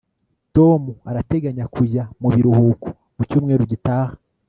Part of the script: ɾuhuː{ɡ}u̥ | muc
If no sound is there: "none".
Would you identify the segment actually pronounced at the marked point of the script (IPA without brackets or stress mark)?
k